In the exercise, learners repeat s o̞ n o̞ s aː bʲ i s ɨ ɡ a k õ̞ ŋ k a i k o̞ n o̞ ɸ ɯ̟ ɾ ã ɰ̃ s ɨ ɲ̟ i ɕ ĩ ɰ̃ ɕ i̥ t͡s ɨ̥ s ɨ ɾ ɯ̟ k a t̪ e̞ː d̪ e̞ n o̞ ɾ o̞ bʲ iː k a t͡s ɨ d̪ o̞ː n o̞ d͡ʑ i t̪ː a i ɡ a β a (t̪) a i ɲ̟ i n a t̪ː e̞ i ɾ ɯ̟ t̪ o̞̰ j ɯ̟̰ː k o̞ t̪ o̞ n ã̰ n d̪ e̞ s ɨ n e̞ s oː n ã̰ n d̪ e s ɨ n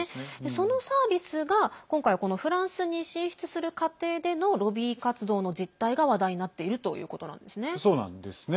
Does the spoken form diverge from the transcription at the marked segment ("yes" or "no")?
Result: yes